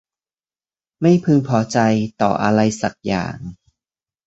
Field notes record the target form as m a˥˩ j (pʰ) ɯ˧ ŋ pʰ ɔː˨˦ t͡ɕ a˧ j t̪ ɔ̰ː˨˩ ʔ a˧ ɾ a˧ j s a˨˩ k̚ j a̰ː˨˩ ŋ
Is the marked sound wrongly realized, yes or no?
no